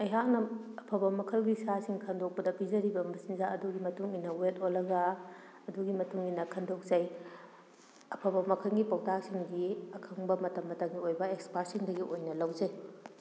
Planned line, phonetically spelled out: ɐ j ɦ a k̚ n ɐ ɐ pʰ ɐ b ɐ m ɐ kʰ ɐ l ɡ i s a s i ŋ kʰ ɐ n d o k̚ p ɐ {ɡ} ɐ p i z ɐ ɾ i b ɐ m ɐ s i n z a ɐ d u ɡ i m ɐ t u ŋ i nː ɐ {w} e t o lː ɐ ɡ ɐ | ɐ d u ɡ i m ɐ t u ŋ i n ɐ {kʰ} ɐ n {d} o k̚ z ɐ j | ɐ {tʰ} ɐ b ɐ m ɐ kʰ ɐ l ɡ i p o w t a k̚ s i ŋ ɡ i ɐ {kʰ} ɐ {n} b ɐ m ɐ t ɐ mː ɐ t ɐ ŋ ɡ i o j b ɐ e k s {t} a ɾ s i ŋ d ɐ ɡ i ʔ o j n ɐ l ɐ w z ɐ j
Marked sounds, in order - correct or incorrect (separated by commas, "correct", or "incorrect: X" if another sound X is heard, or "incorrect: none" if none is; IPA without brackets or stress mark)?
incorrect: d, correct, correct, correct, incorrect: pʰ, correct, incorrect: ŋ, incorrect: p